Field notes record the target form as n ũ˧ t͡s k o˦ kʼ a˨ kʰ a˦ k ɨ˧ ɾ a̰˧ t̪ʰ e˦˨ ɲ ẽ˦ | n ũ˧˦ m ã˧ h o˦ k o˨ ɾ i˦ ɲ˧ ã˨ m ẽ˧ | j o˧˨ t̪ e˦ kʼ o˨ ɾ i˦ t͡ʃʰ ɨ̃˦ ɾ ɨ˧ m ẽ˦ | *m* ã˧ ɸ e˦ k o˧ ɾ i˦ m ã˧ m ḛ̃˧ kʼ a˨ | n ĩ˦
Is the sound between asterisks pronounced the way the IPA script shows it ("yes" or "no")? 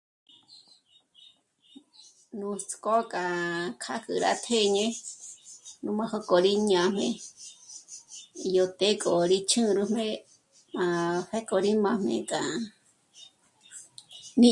yes